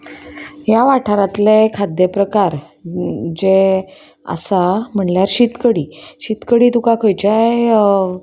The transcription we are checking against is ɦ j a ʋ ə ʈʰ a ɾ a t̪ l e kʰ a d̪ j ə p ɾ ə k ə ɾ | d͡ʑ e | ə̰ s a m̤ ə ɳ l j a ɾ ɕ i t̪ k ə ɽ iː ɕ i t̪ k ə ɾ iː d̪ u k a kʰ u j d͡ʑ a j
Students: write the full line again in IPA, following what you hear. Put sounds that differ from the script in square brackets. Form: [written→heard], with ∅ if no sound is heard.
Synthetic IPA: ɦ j a ʋ [ə→a] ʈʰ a ɾ a t̪ l e kʰ a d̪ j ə p ɾ ə k [ə→a] ɾ | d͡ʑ e | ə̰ s a m̤ ə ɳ l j a ɾ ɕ i t̪ k ə ɽ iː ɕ i t̪ k ə [ɾ→ɽ] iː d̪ u k a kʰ [u→o] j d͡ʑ a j